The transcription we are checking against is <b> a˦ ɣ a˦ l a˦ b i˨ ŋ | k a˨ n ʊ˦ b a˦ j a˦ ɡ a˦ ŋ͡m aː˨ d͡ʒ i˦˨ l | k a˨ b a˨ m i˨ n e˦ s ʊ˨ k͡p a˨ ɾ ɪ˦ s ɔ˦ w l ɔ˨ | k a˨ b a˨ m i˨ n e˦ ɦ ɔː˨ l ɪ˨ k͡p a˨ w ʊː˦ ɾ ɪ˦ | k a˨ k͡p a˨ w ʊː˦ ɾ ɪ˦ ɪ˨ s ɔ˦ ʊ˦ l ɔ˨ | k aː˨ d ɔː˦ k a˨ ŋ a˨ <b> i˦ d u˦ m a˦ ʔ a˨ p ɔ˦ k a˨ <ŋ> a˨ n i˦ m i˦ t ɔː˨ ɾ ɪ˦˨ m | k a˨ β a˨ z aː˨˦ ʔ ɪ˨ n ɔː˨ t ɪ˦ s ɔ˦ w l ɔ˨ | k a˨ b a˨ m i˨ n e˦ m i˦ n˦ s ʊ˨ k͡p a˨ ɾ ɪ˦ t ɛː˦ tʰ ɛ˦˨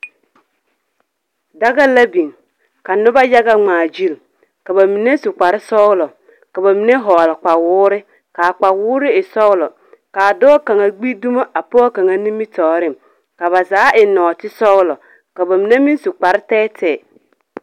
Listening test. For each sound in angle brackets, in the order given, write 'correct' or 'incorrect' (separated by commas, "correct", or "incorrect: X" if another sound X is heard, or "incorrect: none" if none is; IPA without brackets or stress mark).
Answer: incorrect: d, incorrect: ɡ͡b, correct